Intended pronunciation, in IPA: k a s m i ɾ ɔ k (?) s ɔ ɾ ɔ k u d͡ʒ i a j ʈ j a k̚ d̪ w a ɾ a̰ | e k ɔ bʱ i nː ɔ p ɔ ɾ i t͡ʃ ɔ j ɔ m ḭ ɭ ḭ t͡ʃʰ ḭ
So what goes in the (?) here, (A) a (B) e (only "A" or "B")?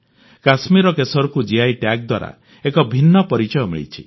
B